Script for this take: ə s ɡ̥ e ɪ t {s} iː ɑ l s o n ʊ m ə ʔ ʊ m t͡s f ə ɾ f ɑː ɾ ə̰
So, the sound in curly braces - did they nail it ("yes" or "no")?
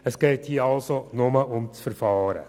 no